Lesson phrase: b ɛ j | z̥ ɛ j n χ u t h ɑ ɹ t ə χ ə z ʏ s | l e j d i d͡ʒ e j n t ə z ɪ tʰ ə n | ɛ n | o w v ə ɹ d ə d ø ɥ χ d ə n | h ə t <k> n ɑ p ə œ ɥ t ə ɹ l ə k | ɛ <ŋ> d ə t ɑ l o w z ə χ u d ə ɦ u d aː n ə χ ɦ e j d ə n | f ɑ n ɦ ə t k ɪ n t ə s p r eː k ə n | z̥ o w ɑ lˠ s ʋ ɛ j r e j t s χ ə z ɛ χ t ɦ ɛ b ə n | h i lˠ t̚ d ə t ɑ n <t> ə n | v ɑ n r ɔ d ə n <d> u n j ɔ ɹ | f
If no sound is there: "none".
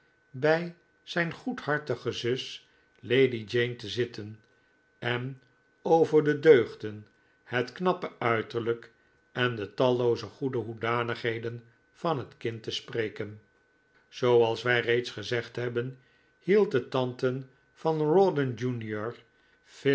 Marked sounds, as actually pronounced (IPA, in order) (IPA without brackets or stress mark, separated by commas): k, n, t, d͡ʒ